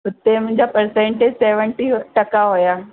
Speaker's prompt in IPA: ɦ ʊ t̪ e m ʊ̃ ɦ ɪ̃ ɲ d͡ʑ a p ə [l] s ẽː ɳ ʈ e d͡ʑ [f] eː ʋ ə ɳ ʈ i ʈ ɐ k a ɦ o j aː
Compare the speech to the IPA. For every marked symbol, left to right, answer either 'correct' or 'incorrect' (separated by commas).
incorrect, incorrect